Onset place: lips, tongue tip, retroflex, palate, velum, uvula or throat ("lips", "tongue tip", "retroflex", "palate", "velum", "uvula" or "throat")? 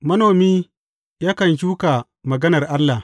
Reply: lips